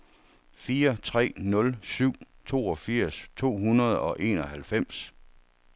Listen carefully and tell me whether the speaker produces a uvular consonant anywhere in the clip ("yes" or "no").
yes